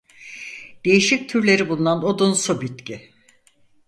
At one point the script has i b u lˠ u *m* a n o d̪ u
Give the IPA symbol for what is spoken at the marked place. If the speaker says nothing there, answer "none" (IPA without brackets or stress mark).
n